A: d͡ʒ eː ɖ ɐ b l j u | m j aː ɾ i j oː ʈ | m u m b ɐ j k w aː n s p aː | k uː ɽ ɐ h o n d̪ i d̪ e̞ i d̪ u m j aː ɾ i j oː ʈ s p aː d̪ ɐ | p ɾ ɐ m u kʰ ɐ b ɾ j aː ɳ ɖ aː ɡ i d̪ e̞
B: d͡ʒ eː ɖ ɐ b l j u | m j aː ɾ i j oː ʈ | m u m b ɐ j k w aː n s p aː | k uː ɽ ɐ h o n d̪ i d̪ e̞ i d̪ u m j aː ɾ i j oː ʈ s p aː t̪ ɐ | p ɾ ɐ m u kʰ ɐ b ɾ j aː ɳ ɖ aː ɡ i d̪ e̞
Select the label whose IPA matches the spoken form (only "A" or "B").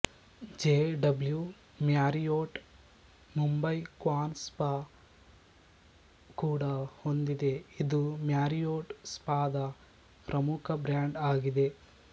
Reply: A